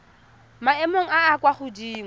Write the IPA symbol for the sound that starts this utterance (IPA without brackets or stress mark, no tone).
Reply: m